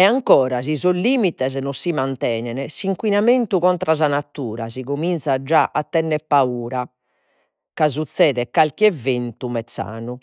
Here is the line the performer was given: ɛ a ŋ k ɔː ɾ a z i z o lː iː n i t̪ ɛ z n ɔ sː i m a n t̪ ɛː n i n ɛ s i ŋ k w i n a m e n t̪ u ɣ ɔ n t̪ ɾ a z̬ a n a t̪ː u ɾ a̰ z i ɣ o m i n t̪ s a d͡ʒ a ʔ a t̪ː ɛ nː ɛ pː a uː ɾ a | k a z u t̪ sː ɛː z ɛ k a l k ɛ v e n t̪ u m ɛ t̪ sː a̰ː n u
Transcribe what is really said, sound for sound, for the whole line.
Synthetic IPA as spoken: ɛ a ŋ k ɔː ɾ a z i z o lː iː m i t̪ ɛ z n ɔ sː i m a n t̪ ɛː n ɛ n ɛ s i ŋ k w i n a m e n t̪ u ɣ ɔ n t̪ ɾ a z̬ a n a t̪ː uː ɾ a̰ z i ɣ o m i n t̪ s a d͡ʒ a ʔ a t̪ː ɛ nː ɛ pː a uː ɾ a | k a z u t̪ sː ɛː ð ɛ k a l k ɛ v e n t̪ u m ɛ t̪ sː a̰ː n u